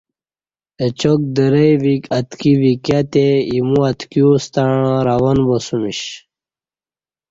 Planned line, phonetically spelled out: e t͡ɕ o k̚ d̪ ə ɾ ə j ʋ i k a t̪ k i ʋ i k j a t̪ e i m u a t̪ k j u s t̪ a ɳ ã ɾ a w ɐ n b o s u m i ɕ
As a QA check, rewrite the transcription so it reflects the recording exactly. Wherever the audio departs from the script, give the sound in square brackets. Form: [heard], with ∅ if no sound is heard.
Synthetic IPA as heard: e t͡ɕ o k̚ d̪ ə ɾ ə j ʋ i k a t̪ k i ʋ i k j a t̪ e i m u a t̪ k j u s t̪ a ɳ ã ɾ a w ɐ n b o s u m i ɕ